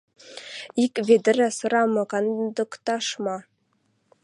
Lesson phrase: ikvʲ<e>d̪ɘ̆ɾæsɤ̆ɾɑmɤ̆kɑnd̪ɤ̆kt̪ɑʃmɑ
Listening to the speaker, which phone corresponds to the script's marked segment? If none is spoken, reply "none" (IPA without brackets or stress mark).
e